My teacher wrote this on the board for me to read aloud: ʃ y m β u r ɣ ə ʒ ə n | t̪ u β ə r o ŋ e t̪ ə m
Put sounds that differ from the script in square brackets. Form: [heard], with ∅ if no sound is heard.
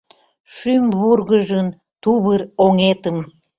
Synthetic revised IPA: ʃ y m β u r ɣ ə ʒ ə n | t̪ u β ə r o ŋ e t̪ ə m